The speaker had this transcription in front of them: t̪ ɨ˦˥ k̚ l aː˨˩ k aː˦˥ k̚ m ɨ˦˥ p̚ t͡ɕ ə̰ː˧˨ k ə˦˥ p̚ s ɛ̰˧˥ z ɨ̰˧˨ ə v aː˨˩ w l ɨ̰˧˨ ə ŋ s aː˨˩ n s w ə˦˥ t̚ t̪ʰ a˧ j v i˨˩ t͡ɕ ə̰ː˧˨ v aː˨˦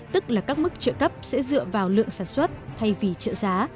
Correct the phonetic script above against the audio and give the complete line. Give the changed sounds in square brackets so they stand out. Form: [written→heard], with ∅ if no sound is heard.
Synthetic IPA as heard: t̪ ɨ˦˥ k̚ l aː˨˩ k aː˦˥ k̚ m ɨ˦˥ [p̚→k̚] t͡ɕ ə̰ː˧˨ k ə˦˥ p̚ s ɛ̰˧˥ z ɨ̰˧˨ ə v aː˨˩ w l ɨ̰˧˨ ə ŋ s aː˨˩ n s w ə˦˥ t̚ t̪ʰ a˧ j v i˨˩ t͡ɕ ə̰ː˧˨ [v→z] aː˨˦

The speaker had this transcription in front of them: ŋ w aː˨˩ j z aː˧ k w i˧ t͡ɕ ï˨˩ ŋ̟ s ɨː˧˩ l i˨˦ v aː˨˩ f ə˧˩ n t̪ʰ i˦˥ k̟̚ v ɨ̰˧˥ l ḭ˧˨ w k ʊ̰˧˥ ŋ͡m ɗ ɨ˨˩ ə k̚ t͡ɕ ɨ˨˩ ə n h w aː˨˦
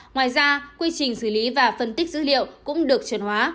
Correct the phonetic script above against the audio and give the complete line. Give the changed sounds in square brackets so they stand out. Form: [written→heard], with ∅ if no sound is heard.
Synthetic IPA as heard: ŋ w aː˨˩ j z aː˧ k w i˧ t͡ɕ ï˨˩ ŋ̟ s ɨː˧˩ l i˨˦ v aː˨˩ f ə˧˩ n [t̪ʰ→t̪] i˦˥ k̟̚ [v→z] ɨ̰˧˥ l ḭ˧˨ w k ʊ̰˧˥ ŋ͡m ɗ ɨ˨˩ ə k̚ t͡ɕ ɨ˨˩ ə n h w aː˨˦

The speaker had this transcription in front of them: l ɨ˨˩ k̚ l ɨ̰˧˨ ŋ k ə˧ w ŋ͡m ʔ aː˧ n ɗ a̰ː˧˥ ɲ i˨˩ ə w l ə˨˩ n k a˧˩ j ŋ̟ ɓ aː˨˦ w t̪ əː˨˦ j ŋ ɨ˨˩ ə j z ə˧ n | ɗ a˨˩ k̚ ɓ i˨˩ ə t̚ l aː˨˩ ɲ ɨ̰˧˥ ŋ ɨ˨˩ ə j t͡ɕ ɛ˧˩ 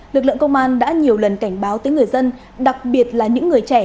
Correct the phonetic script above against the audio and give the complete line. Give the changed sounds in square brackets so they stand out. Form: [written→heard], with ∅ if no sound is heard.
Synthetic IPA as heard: l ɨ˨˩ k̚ l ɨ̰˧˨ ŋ k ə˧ w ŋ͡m ʔ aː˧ n ɗ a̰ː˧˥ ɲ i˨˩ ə w l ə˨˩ n k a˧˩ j ŋ̟ ɓ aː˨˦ w t̪ əː˨˦ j ŋ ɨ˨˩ ə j z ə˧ n | ɗ a˨˩ k̚ ɓ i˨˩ ə t̚ l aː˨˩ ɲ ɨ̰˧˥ [ŋ→ŋː] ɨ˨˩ ə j t͡ɕ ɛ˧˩

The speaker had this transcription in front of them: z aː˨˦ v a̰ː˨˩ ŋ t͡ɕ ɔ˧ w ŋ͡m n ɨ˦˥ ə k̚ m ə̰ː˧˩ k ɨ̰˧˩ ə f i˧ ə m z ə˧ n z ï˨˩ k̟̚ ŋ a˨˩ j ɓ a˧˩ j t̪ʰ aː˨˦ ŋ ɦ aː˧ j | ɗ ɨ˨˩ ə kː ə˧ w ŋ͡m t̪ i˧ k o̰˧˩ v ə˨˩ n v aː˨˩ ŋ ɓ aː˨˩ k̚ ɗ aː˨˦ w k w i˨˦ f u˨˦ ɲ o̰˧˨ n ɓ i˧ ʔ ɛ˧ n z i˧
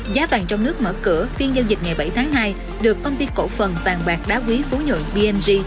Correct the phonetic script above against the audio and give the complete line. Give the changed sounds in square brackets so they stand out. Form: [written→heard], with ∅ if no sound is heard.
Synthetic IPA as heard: z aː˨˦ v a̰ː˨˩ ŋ t͡ɕ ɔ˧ w ŋ͡m n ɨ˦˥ ə k̚ m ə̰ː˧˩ k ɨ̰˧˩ ə f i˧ ə [m→n] z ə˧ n z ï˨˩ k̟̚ ŋ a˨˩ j ɓ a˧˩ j t̪ʰ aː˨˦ ŋ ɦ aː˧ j | ɗ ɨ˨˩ ə kː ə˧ w ŋ͡m t̪ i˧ k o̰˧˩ [v→f] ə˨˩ n v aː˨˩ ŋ ɓ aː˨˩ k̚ ɗ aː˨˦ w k w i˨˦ f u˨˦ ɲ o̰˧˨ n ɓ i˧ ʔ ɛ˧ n z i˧

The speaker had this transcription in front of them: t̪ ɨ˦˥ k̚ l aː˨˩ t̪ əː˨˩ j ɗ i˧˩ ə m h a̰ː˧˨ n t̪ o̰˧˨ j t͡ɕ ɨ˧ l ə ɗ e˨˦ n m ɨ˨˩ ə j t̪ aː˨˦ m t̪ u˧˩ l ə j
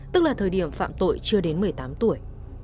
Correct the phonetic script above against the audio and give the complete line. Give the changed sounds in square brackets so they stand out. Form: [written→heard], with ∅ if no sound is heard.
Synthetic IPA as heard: t̪ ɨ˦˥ k̚ l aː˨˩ [t̪→t̪ʰ] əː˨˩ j ɗ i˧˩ ə m [h→f] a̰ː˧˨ [n→m] t̪ o̰˧˨ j t͡ɕ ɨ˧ [l→∅] ə ɗ e˨˦ n m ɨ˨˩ ə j t̪ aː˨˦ m t̪ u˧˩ [l→∅] ə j

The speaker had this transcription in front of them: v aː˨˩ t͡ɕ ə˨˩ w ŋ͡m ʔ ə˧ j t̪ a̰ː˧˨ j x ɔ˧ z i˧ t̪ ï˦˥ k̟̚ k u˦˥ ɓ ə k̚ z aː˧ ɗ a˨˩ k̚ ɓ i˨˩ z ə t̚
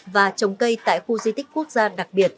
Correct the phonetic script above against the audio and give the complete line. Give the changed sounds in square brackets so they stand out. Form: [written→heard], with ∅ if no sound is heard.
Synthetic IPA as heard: v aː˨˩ t͡ɕ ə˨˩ w ŋ͡m [ʔ→k] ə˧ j t̪ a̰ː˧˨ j x [ɔ˧→u˧] z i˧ t̪ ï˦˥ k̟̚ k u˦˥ [ɓ→∅] ə k̚ z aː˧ ɗ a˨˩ k̚ ɓ i˨˩ [z→∅] ə t̚

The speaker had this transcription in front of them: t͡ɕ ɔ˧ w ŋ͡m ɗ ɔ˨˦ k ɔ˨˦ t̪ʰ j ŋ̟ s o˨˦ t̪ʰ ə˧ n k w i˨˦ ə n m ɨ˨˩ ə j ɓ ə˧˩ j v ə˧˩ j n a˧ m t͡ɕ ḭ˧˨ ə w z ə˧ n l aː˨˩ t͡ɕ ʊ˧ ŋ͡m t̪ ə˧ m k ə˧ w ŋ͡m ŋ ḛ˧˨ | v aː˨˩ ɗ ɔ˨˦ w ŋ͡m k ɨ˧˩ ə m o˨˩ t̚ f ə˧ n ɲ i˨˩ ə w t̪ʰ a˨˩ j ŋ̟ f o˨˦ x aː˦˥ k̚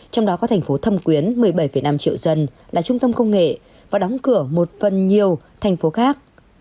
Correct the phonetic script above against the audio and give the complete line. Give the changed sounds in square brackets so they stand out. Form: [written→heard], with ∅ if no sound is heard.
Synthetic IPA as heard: t͡ɕ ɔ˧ w ŋ͡m ɗ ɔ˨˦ k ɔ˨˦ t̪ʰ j ŋ̟ [s→f] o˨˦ t̪ʰ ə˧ [n→m] k w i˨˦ ə n m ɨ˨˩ ə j ɓ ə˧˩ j [v→f] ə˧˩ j n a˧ m t͡ɕ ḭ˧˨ ə w z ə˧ n l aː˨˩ t͡ɕ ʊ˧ ŋ͡m t̪ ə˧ m k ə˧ w ŋ͡m ŋ ḛ˧˨ | v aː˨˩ ɗ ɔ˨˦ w ŋ͡m k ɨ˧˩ ə m o˨˩ t̚ f [ə˧→ə˨˩] n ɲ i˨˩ ə w t̪ʰ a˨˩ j ŋ̟ f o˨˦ x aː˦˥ k̚

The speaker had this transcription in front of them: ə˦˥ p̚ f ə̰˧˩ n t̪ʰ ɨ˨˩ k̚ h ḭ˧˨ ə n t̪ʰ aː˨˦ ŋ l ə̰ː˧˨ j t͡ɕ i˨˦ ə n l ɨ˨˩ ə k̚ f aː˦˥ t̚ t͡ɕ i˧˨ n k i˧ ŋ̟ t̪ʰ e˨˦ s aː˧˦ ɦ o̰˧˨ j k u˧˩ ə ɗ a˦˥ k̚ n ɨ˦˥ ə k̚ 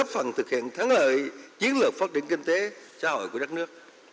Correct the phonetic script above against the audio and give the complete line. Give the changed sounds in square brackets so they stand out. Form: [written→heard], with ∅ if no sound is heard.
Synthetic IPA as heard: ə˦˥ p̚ f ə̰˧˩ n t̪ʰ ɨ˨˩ k̚ h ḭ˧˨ ə n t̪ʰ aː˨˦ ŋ l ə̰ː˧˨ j t͡ɕ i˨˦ ə n l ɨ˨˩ ə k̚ f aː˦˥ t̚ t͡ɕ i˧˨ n k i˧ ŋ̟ [t̪ʰ→t̪] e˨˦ s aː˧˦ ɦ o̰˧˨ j k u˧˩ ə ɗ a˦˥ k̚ n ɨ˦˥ ə k̚

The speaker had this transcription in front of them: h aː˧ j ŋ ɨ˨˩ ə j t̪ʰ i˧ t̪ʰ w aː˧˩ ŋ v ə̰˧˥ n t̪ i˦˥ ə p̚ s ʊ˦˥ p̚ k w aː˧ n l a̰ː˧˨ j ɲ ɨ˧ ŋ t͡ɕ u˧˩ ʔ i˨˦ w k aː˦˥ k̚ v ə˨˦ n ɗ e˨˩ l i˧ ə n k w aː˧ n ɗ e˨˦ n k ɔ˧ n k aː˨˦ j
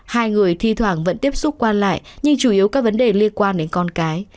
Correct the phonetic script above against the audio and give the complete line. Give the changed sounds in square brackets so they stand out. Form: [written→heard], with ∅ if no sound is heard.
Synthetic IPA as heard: h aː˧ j ŋ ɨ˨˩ ə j t̪ʰ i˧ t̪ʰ w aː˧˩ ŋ v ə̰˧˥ n t̪ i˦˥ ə p̚ s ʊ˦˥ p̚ k w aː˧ n l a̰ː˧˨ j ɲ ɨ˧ ŋ t͡ɕ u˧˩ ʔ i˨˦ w k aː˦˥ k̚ v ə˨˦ n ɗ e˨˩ l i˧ ə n k w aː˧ n ɗ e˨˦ n k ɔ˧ n k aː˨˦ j

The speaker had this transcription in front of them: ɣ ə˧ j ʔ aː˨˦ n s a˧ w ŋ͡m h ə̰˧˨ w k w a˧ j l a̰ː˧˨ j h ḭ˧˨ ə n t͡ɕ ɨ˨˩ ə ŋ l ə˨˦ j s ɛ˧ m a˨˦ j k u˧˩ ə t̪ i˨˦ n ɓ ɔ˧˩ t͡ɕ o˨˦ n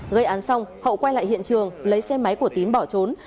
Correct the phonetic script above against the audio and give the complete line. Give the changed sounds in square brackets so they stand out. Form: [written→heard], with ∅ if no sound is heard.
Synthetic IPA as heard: ɣ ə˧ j ʔ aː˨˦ n s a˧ w ŋ͡m h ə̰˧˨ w k w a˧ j l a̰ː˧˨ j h ḭ˧˨ ə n t͡ɕ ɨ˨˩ ə ŋ l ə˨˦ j s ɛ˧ m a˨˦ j k u˧˩ ə t̪ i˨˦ n ɓ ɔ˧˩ t͡ɕ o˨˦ n

